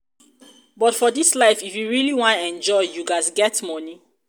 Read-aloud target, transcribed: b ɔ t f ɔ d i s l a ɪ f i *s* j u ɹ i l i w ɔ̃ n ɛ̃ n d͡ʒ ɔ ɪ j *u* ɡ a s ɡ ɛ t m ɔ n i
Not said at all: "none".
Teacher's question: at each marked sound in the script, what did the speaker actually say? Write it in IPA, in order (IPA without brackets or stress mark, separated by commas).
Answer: f, u